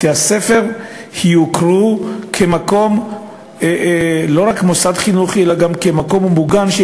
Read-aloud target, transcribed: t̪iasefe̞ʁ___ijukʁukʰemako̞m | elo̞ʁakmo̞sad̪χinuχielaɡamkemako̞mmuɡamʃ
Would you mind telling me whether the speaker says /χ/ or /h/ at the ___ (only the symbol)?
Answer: h